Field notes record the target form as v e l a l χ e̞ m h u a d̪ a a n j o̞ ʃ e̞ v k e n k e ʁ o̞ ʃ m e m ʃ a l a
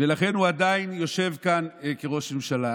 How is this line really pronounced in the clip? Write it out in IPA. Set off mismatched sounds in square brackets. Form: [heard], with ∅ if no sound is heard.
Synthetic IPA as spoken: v e l a [∅] χ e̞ [n] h u a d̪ a [i] n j o̞ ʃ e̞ v k [a] n k e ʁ o̞ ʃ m e m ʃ a l a